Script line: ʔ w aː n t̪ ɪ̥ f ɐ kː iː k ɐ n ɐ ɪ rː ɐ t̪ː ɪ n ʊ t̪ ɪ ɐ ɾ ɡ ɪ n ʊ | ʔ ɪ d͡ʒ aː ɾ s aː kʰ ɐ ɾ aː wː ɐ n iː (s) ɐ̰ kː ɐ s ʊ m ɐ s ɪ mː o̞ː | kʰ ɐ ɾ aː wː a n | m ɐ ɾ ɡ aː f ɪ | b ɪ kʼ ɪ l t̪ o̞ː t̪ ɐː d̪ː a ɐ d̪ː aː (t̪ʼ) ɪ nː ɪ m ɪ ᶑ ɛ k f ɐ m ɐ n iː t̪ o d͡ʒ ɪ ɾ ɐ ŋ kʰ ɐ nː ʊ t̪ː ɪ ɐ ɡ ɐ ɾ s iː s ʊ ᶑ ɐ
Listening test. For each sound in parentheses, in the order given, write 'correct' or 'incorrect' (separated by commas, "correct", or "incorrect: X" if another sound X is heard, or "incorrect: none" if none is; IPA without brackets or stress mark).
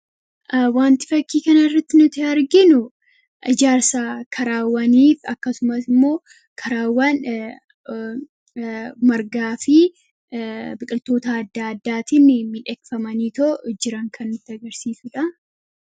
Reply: incorrect: f, incorrect: t̪